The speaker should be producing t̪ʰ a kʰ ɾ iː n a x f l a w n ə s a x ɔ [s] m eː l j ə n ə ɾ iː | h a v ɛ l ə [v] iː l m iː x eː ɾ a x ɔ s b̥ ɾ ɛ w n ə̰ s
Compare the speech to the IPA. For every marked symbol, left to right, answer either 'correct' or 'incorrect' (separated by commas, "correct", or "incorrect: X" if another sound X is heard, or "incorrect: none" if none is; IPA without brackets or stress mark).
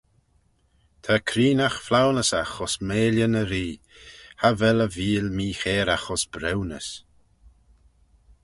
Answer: correct, correct